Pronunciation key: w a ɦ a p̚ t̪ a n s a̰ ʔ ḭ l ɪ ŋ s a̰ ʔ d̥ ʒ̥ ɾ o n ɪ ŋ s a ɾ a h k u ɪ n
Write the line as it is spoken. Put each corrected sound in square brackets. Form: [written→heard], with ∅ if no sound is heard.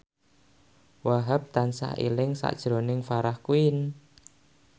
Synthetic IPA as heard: w a ɦ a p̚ t̪ a n s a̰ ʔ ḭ l ɪ ŋ s a̰ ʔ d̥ ʒ̥ ɾ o n ɪ ŋ [s→f] a ɾ a h k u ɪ n